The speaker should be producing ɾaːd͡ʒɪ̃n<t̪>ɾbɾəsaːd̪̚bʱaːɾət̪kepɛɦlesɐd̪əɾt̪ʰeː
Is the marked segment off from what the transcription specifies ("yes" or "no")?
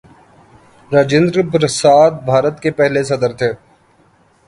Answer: yes